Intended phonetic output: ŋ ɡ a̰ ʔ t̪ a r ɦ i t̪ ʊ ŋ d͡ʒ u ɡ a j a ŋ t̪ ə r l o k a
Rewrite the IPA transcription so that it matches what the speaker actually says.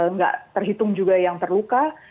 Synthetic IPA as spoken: ŋ ɡ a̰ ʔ t̪ ə r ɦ i t̪ ʊ ŋ d͡ʒ u ɡ a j a ŋ t̪ ə r l u k a